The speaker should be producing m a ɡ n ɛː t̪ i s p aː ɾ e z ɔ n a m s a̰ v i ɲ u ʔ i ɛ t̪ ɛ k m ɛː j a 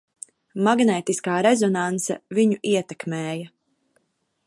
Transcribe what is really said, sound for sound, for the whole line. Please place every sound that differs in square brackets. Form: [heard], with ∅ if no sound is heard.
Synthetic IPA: m a ɡ n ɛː t̪ i s [k] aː ɾ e z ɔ n a [n] s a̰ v i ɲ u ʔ i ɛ t̪ ɛ k m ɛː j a